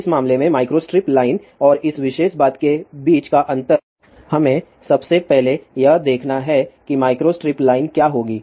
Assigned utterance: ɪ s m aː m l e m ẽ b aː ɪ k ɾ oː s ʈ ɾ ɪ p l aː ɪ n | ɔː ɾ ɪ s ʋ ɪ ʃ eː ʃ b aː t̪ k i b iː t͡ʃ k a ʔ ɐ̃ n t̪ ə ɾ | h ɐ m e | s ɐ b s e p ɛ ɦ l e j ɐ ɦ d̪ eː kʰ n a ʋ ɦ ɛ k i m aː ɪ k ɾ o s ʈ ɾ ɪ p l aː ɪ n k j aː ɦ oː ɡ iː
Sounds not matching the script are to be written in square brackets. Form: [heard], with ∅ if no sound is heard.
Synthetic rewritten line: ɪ s m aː m l e m ẽ [m] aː ɪ k ɾ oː s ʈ ɾ ɪ p l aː ɪ n | ɔː ɾ ɪ s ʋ ɪ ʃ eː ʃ b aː t̪ k [e] b iː t͡ʃ k a ʔ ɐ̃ n t̪ ə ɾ | h ɐ m [ẽ] | s ɐ b s e p ɛ ɦ l e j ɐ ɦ d̪ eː kʰ n a [∅] ɦ ɛ k i m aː ɪ k ɾ o s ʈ ɾ ɪ p l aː ɪ n k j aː ɦ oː ɡ iː